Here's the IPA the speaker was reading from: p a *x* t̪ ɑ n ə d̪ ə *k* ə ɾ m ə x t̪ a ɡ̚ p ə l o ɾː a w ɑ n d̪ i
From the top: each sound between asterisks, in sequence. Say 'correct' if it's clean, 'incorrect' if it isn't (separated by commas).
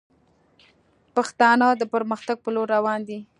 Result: correct, incorrect